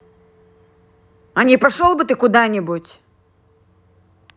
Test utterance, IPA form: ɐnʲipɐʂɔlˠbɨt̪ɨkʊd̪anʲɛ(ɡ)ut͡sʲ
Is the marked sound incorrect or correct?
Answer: incorrect: b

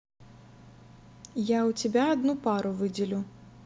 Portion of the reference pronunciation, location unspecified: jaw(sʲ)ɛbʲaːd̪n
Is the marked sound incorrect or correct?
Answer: incorrect: t͡sʲ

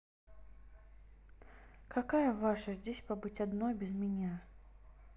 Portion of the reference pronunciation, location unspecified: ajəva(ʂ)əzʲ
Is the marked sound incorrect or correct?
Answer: correct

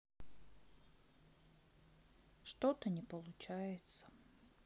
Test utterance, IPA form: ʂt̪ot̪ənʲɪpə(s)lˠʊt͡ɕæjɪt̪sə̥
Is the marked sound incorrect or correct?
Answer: incorrect: none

